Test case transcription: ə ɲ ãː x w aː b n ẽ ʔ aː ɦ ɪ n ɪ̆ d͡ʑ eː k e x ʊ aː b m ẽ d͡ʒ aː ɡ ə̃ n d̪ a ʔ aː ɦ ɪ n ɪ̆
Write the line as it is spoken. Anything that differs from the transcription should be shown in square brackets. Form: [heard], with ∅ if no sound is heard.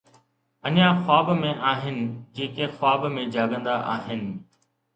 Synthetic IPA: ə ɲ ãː x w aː b [m] ẽ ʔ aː ɦ ɪ n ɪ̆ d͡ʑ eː k e x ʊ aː b m ẽ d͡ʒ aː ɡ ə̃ n d̪ a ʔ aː ɦ ɪ n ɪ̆